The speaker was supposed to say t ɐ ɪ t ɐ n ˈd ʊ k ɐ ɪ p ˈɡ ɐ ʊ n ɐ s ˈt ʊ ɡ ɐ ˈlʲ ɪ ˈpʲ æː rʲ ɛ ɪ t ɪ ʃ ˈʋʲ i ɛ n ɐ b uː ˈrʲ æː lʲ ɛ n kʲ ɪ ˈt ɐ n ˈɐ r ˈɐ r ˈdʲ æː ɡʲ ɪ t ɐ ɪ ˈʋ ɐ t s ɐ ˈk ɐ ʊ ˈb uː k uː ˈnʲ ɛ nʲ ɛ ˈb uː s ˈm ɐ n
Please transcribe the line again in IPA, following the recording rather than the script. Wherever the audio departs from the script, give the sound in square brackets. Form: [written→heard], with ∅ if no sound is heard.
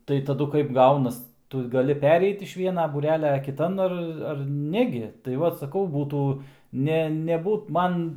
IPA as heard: t ɐ ɪ t ɐ [n→∅] ˈd ʊ k ɐ ɪ p ˈɡ ɐ ʊ n ɐ s ˈt ʊ ɡ ɐ ˈlʲ ɪ ˈpʲ æː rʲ ɛ ɪ t ɪ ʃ ˈʋʲ i ɛ n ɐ b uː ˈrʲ æː lʲ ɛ [n→∅] kʲ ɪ ˈt ɐ n ˈɐ r ˈɐ r [ˈdʲ→ˈnʲ] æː ɡʲ ɪ t ɐ ɪ ˈʋ ɐ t s ɐ ˈk ɐ ʊ ˈb uː [k→t] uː ˈnʲ ɛ nʲ ɛ ˈb uː [s→t] ˈm ɐ n